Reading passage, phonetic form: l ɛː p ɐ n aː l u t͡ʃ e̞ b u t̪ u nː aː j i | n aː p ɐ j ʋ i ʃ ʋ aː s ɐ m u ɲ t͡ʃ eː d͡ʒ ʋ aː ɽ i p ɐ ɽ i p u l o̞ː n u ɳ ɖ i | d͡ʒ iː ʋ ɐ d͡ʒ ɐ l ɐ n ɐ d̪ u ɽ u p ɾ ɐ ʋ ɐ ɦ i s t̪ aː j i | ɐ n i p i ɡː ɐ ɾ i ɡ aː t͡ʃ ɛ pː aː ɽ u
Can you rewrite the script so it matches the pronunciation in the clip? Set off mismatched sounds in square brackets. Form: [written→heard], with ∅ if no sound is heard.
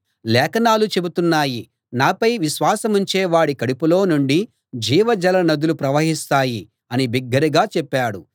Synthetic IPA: l ɛː [p→k] ɐ n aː l u t͡ʃ e̞ b u t̪ u nː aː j i | n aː p ɐ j ʋ i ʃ ʋ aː s ɐ m u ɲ t͡ʃ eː [d͡ʒ→∅] ʋ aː ɽ i [p→k] ɐ ɽ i p u l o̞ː n u ɳ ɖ i | d͡ʒ iː ʋ ɐ d͡ʒ ɐ l ɐ n ɐ d̪ u [ɽ→l] u p ɾ ɐ ʋ ɐ ɦ i s t̪ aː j i | ɐ n i [p→b] i ɡː ɐ ɾ i ɡ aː t͡ʃ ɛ pː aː ɽ u